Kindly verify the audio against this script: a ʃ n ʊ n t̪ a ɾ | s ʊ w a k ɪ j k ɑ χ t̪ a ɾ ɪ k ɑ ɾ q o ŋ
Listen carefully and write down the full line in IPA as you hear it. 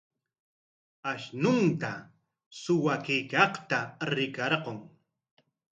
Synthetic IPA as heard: a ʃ n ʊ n t̪ a | s ʊ w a k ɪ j k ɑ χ t̪ a ɾ ɪ k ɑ ɾ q o ŋ